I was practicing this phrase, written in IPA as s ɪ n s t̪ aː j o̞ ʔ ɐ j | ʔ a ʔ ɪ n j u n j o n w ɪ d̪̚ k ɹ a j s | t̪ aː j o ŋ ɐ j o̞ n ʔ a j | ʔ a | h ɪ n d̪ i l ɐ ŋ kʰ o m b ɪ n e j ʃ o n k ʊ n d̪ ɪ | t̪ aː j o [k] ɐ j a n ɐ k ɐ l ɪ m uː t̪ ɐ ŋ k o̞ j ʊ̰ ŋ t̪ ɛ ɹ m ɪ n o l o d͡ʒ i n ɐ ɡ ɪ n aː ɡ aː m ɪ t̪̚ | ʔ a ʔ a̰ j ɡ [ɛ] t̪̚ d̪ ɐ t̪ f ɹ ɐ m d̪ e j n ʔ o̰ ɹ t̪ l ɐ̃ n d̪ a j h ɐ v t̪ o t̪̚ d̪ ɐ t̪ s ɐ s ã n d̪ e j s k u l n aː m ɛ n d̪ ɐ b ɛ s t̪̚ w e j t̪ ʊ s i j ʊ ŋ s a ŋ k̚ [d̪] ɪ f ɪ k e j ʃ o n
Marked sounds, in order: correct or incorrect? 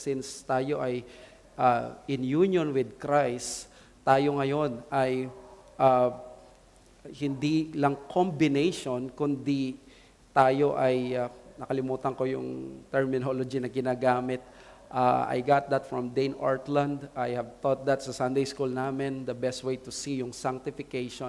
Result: incorrect, incorrect, incorrect

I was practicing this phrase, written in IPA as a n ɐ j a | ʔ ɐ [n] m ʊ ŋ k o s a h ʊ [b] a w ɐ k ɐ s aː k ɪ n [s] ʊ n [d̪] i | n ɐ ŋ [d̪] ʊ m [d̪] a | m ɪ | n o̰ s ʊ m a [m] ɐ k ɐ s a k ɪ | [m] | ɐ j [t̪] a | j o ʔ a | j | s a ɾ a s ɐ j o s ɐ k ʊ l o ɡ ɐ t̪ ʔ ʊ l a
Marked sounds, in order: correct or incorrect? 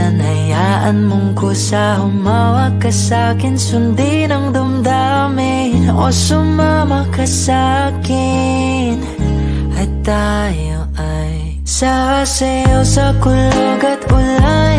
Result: correct, incorrect, correct, correct, correct, correct, correct, incorrect, correct

